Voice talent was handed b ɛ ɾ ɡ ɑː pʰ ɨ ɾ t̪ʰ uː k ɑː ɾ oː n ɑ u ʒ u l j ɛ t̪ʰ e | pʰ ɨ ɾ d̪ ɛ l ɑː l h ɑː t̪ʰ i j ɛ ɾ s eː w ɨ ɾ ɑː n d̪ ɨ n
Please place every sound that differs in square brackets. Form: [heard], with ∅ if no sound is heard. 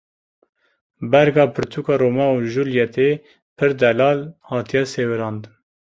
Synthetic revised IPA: b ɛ ɾ ɡ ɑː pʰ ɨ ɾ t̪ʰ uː k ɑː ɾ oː [m] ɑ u ʒ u l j ɛ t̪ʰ e | pʰ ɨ ɾ d̪ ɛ l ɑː l h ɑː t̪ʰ i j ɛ [∅] s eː w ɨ ɾ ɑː n d̪ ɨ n